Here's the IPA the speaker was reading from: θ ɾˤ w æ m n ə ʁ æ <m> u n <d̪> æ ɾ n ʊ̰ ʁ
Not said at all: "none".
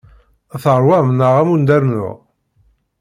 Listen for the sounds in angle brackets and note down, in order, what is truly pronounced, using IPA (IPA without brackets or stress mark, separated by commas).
m, d̪